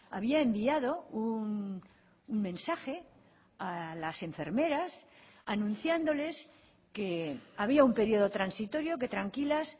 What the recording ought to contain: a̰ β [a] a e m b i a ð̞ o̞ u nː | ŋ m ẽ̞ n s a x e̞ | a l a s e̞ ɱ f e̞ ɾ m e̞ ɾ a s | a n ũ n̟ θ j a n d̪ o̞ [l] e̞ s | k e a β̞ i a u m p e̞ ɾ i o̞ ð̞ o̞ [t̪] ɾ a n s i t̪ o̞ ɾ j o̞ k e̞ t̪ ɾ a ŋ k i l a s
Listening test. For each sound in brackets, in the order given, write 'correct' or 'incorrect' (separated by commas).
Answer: incorrect, correct, correct